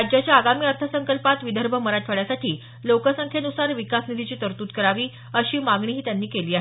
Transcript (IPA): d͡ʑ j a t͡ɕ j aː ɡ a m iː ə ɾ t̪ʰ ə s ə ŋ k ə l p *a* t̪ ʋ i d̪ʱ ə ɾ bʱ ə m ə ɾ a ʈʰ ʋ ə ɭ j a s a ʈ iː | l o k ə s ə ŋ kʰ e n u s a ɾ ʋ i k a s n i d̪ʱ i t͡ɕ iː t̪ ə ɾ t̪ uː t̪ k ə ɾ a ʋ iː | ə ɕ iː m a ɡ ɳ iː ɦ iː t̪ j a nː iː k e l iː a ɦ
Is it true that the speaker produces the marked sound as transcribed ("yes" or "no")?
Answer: yes